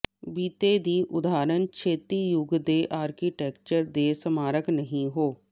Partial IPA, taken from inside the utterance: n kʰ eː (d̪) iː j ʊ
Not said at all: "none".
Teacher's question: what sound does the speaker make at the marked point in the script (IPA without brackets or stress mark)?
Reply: t̪